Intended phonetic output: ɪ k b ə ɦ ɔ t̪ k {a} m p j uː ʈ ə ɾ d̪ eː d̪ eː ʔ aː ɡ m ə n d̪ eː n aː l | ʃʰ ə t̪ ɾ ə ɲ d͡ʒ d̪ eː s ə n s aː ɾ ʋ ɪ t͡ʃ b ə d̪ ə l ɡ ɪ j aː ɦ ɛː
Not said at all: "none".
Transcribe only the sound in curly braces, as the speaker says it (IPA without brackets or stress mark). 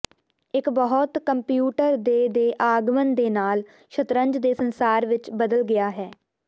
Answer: ə